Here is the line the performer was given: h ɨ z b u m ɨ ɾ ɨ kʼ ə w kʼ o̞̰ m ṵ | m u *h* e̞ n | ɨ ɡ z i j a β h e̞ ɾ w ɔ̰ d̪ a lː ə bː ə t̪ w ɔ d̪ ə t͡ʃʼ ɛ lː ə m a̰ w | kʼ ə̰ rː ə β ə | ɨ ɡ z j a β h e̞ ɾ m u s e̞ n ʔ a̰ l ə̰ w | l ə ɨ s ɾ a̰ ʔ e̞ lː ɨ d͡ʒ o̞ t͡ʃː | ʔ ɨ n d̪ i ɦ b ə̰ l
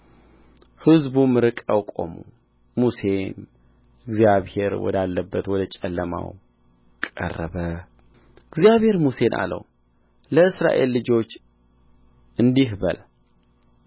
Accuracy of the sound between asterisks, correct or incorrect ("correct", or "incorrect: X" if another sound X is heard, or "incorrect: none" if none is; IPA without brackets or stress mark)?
incorrect: s